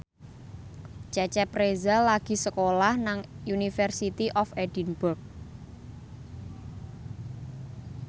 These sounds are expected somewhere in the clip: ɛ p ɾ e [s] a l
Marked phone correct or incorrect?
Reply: incorrect